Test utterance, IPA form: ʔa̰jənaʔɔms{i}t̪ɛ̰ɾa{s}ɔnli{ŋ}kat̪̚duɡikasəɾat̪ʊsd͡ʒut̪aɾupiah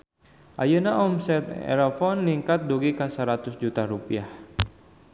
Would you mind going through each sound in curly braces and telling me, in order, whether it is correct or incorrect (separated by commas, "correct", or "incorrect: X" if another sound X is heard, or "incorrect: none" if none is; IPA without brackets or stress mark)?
incorrect: ɛ, incorrect: f, correct